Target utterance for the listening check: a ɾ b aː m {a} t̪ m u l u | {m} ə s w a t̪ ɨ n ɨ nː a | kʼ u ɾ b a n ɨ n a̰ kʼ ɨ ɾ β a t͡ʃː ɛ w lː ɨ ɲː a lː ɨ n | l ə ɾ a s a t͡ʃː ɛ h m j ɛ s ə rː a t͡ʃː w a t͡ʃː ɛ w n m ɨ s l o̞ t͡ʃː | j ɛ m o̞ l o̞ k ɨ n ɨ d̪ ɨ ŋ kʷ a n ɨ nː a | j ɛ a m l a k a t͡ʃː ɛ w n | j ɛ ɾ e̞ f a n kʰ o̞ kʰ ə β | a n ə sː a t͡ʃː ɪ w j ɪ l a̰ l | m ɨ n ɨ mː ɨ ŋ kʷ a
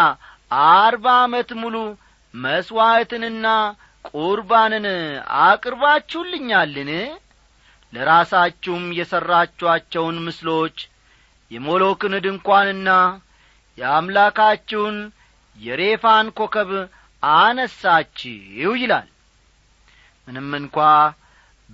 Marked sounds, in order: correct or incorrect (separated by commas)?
incorrect, correct